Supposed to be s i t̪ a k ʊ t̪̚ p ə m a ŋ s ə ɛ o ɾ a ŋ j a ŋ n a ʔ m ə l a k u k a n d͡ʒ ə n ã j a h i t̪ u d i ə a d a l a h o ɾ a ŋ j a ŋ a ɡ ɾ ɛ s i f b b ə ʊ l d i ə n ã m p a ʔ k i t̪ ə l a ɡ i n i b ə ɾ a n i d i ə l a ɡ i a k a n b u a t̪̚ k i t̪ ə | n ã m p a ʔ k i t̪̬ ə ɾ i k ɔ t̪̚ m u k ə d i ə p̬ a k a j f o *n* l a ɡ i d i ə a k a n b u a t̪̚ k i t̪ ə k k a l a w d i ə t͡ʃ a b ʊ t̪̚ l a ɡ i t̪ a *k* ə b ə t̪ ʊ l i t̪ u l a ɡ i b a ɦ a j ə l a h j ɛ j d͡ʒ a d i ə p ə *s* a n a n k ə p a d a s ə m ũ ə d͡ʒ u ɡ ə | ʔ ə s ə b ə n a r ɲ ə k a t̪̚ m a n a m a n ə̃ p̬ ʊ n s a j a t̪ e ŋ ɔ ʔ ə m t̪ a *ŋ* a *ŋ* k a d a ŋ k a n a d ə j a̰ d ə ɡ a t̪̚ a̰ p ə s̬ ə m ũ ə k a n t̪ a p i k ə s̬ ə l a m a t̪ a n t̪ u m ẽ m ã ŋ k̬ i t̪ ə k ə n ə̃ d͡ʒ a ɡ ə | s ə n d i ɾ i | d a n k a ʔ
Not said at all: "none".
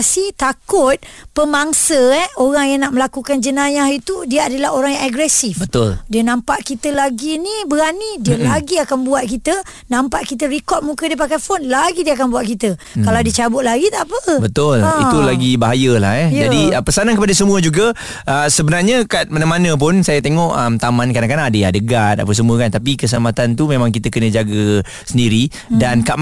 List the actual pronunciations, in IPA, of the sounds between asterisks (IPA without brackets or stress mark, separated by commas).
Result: n, p, s, m, n